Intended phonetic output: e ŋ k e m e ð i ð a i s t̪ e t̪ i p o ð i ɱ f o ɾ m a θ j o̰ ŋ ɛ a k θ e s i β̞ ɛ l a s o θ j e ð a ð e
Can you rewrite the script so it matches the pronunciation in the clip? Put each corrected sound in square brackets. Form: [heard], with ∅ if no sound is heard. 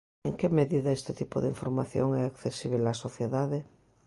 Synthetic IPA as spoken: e ŋ k e m e ð i ð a [e] s t̪ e t̪ i p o ð i ɱ f o ɾ m a θ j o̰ ŋ ɛ a k θ e s i β̞ [e] l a s o θ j e ð a ð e